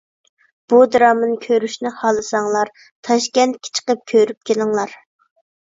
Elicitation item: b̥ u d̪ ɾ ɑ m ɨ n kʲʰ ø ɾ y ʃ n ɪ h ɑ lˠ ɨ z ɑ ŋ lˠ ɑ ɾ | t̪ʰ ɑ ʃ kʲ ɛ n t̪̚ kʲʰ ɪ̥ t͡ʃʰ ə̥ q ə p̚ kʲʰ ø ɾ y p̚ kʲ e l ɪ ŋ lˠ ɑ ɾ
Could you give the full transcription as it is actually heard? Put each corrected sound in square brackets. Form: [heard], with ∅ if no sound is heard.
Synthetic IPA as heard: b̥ u d̪ ɾ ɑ m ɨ n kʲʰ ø ɾ y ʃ n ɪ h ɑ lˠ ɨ [s] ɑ ŋ lˠ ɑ ɾ | t̪ʰ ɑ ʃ kʲ ɛ n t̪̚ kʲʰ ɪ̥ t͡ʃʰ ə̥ q ə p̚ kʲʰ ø ɾ y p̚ kʲ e l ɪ ŋ lˠ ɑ ɾ